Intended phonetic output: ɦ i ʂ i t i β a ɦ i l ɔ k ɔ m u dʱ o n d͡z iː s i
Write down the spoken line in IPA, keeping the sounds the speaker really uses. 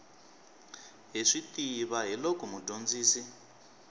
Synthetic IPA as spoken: ɦ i ʂ i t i β a ɦ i l ɔ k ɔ m u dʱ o n d͡z iː s i

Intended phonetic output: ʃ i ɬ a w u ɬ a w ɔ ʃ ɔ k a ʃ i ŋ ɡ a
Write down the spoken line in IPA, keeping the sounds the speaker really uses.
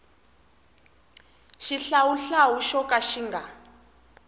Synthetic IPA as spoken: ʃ i ɬ a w u ɬ a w u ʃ ɔ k a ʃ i ŋ ɡ a

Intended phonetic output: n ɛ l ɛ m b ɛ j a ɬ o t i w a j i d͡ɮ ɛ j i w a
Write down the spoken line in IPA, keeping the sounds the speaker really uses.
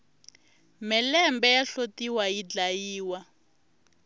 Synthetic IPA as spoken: m ɛ l ɛ m b ɛ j a ɬ o t i w a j i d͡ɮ a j iː w a

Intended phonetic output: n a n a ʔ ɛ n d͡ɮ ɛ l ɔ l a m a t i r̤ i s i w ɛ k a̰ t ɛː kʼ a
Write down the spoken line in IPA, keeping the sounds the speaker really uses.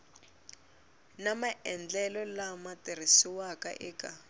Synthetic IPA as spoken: n a m a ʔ ɛ n d͡ɮ ɛ l ɔ l a m a t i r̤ i s i w a k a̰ ʔ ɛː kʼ a

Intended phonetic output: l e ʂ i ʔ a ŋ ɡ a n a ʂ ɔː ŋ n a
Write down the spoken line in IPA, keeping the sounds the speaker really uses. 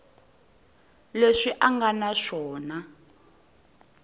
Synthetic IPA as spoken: l e ʂ i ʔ a ŋ ɡ a n a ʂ ɔː n a

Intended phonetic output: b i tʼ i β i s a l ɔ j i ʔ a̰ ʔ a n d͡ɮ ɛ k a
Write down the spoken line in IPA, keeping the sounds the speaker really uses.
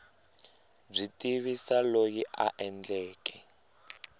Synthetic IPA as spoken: b͡ʐ i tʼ i β i s a l o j i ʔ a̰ ʔ ɛ n d͡ɮ ɛː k ɛ

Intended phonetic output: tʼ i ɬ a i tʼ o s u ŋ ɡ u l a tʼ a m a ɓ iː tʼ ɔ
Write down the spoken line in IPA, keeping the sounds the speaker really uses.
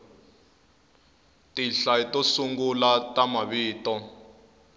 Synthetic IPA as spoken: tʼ i ɬ a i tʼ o s u ŋ ɡ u l a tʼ a m a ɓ iː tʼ ɔ

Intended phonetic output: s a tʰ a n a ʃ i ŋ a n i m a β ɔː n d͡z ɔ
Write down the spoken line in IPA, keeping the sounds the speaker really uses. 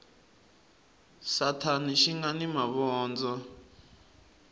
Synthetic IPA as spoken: s a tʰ a n i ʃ i ŋ a n i m a β ɔː n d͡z ɔ

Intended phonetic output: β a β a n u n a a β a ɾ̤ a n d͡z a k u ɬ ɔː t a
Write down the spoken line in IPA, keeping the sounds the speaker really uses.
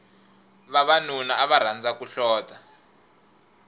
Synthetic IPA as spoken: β a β a n u n a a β a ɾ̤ a n d͡z a k u ɬ ɔː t a

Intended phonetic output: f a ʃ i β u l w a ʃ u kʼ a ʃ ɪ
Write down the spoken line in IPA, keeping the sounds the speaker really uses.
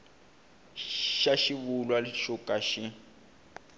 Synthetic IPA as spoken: ʃ a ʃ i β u l w a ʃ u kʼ a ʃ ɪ

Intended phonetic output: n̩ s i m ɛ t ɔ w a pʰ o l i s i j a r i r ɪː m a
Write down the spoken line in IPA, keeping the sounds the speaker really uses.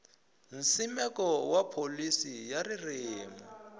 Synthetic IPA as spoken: n̩ s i m ɛ k ɔ w a pʰ o l i s i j a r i r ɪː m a

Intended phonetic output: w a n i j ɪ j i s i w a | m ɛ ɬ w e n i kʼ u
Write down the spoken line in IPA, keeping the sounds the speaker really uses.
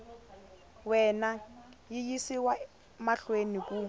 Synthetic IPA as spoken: w ɛ n a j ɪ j i s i w a | m a ɬ w e n i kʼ u

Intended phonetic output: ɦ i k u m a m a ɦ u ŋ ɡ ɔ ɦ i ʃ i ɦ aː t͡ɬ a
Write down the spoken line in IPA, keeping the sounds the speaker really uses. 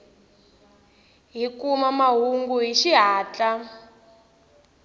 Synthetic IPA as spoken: ɦ i k u m a m a ɦ u ŋ ɡ u ɦ i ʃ i ɦ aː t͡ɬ a

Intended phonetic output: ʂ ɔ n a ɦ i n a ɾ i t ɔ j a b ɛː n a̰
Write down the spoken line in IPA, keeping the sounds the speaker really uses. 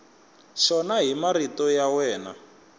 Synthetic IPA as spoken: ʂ ɔ n a ɦ i m a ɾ i t ɔ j a w ɛː n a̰

